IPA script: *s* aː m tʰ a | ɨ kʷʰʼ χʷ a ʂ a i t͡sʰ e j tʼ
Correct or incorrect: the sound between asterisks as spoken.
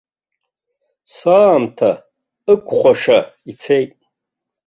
correct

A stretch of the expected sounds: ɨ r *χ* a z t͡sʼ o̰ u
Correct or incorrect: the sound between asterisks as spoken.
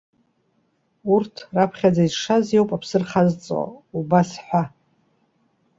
correct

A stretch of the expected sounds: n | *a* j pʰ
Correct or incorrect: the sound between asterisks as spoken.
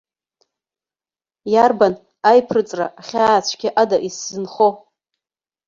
correct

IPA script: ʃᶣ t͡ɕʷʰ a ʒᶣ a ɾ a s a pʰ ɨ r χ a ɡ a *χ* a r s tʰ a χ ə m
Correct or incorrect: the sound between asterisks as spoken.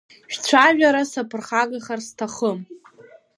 correct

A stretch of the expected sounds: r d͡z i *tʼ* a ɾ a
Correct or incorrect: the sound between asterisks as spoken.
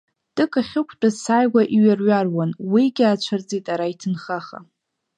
correct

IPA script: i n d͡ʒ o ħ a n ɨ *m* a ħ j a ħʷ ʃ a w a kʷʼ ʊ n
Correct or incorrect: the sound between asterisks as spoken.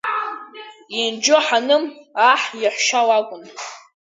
correct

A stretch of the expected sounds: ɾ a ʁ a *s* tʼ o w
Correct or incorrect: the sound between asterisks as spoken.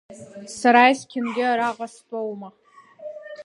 correct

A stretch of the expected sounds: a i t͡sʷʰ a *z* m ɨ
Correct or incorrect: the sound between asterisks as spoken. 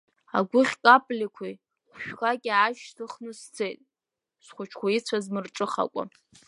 correct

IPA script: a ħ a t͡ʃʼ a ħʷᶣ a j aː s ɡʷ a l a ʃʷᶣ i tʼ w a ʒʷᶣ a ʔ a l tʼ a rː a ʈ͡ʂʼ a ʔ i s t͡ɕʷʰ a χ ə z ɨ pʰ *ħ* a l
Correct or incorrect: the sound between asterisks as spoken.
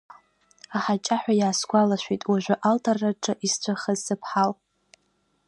correct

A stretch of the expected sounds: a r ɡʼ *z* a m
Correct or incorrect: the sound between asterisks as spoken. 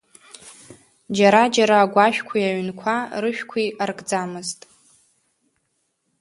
incorrect: d͡z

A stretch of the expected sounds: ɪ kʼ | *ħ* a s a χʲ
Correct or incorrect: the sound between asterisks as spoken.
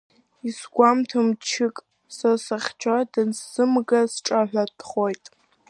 incorrect: s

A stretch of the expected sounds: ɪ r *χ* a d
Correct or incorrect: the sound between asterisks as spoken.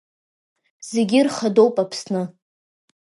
correct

